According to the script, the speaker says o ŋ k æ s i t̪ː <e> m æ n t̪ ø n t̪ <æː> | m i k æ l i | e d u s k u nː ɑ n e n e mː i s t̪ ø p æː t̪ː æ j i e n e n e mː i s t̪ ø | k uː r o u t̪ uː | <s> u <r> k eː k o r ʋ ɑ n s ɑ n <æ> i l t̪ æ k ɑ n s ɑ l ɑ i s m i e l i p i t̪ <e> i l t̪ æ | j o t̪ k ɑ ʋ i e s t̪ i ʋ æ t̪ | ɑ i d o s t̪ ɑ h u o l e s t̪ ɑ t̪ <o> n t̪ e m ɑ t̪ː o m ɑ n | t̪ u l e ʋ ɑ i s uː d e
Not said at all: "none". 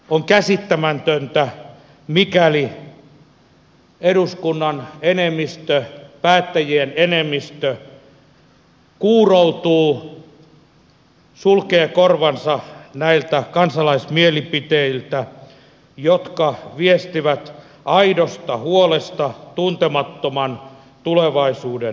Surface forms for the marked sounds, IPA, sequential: æ, æ, s, l, æ, e, u

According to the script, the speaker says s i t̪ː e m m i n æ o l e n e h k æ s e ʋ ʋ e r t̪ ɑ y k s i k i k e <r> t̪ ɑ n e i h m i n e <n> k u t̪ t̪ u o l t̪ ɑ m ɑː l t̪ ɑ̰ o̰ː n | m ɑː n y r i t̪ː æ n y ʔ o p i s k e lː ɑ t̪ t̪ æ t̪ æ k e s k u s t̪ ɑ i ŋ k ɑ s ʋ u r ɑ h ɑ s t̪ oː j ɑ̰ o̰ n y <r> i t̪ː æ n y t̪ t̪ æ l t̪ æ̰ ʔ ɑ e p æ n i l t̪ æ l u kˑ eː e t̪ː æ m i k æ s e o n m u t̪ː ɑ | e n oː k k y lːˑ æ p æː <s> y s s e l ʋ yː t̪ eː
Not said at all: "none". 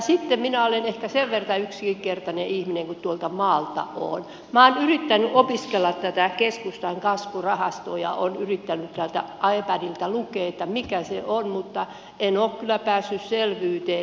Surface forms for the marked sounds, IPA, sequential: r, ŋ, r, sː

